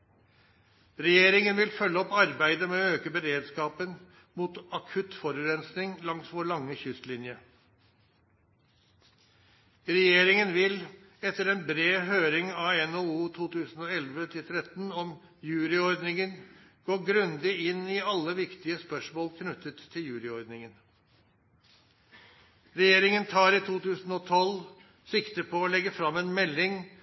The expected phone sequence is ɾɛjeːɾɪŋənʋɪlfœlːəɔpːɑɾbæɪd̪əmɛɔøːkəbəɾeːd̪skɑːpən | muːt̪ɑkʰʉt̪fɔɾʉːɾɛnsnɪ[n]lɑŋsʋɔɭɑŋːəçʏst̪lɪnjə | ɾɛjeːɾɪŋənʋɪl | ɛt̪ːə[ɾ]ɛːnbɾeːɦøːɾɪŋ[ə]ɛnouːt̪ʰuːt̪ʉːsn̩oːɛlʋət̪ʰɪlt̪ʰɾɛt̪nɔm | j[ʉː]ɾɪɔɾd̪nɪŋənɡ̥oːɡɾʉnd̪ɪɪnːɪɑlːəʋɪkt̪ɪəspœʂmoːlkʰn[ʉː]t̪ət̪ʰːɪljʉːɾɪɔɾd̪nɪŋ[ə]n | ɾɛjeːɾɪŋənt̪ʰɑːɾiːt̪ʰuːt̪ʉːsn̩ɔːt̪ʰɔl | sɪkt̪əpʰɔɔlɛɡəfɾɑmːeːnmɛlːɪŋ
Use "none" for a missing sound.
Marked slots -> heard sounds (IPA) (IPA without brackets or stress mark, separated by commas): ŋ, ɾ, ɑ, ʉː, ʉ, ə